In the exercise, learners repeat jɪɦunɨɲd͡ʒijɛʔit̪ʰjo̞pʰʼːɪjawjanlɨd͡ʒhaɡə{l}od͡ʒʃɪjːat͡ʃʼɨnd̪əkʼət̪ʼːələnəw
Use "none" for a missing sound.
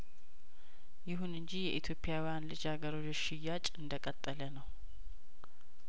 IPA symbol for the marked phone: ɾ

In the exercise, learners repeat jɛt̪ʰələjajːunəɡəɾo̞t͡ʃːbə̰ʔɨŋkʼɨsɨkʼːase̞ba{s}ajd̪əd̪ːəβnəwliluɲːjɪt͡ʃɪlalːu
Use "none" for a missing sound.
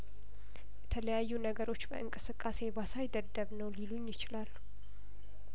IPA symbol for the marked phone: s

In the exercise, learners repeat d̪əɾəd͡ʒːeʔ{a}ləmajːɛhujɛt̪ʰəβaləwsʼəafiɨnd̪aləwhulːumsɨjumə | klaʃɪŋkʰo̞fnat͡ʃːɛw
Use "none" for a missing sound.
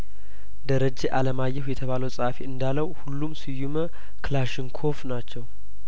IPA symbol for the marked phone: a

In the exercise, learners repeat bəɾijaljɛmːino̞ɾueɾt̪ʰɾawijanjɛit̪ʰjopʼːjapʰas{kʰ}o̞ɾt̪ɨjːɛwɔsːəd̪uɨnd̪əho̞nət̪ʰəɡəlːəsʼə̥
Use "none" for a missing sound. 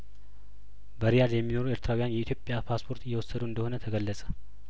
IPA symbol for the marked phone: pʰ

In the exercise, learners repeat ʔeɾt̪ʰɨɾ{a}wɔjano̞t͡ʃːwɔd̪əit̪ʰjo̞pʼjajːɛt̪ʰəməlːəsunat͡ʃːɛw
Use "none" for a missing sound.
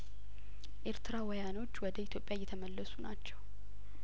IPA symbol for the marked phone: a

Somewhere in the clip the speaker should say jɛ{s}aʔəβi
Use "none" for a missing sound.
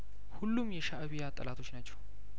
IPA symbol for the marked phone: ʃ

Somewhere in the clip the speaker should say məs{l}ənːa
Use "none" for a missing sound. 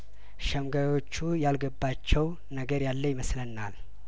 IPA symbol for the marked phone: l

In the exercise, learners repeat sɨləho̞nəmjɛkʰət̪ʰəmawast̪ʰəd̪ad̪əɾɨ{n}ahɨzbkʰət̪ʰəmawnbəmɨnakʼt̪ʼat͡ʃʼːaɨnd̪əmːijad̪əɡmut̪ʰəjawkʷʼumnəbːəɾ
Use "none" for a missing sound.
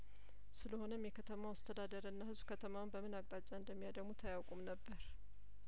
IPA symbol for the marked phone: nː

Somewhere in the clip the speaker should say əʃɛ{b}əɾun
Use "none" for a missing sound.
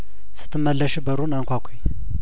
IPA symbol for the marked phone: b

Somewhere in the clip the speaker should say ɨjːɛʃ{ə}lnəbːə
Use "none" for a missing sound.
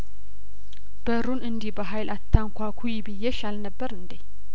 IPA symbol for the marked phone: a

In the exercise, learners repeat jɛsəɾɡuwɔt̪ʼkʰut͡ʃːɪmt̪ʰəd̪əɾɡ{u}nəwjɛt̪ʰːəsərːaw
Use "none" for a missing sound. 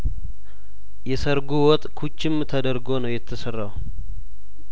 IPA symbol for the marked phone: o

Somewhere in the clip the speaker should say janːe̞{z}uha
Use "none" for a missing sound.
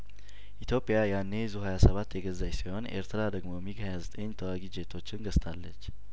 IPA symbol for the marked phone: z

